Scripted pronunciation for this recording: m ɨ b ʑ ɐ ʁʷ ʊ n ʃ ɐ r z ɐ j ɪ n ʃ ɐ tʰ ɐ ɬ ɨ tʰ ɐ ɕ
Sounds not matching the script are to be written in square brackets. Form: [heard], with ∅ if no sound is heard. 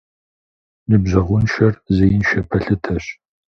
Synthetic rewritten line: [n] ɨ b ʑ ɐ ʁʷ ʊ n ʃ ɐ r z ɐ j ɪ n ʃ ɐ [pʰ] ɐ ɬ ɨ tʰ ɐ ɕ